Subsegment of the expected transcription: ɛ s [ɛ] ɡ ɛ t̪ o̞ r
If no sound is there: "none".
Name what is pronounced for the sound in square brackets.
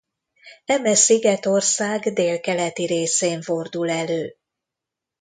i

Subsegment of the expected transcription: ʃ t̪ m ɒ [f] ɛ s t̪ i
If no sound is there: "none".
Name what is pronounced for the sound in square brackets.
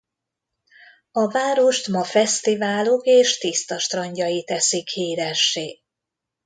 f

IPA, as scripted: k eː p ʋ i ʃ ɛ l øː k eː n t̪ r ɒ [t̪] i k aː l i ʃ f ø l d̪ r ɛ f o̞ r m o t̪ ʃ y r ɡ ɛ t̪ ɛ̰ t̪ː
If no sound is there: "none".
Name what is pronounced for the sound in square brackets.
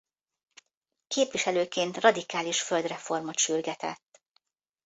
d̪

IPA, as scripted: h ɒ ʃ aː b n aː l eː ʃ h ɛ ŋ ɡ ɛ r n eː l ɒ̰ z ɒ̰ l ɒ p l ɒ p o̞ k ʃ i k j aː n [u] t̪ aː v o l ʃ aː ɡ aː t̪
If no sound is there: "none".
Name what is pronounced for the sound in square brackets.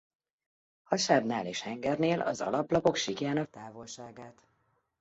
ɒ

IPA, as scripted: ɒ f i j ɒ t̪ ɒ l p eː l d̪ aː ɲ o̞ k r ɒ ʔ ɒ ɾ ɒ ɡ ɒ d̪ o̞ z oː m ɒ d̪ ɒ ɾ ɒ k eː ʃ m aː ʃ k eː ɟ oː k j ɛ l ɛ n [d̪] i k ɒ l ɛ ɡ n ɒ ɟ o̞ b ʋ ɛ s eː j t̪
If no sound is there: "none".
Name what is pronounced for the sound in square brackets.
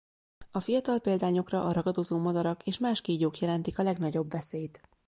t̪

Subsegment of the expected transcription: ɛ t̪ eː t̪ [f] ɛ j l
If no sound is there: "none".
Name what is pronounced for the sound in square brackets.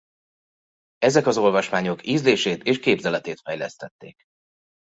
f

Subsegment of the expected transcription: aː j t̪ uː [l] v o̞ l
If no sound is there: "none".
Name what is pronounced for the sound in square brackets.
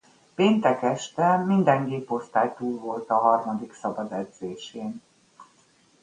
l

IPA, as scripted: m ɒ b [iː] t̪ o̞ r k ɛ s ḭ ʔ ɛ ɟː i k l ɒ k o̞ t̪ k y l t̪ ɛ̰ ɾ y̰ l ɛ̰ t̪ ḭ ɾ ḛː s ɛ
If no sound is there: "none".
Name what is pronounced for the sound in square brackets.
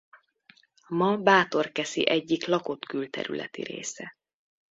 aː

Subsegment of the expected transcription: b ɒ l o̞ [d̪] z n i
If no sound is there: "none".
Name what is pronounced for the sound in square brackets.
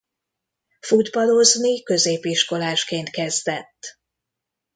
none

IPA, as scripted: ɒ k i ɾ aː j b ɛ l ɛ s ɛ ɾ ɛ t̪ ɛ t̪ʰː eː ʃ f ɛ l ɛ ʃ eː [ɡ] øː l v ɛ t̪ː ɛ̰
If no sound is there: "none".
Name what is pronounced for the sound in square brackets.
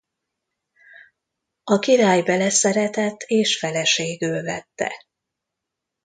ɡ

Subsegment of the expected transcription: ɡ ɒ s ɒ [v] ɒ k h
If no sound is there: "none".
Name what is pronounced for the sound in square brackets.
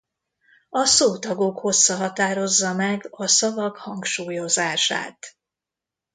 v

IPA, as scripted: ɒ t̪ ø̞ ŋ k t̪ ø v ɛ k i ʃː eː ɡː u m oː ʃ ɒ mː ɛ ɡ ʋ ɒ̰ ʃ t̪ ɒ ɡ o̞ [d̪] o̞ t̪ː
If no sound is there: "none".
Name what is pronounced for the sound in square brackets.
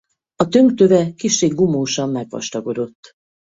d̪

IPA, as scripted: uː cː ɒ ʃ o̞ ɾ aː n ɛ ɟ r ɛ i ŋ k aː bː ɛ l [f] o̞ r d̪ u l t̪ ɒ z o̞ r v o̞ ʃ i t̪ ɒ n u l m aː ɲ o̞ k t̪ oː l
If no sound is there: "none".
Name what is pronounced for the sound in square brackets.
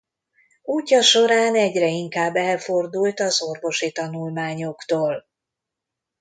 f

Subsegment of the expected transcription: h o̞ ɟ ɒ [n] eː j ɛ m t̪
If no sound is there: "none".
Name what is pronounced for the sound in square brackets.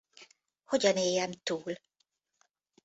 n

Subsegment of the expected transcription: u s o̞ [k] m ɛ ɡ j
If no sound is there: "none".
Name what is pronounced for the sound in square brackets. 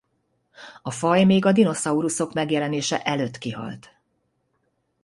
k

